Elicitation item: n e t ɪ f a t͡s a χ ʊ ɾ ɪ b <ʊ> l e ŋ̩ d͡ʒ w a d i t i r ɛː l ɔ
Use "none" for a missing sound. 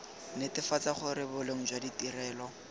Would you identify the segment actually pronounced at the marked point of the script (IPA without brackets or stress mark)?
ʊ